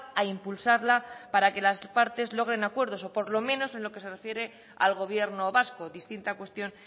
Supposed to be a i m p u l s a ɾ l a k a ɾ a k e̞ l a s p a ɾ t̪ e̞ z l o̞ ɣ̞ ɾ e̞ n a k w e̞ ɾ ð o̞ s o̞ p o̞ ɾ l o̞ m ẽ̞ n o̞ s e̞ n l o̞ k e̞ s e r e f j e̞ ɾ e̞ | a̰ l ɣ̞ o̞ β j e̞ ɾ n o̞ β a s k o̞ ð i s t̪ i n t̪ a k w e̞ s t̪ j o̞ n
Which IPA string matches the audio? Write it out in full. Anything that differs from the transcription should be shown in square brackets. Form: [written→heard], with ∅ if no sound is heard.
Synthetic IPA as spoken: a i m p u l s a ɾ l a [k→p] a ɾ a k e̞ l a s p a ɾ t̪ e̞ z l o̞ ɣ̞ ɾ e̞ n a k w e̞ ɾ ð o̞ s o̞ p o̞ ɾ l o̞ m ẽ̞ n o̞ s e̞ n l o̞ k e̞ s e r e f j e̞ ɾ e̞ | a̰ l ɣ̞ o̞ β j e̞ ɾ n o̞ β a s k o̞ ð i s t̪ i n t̪ a k w e̞ s t̪ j o̞ n